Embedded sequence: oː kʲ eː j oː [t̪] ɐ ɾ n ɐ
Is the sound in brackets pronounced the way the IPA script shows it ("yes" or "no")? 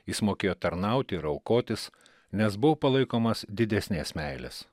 yes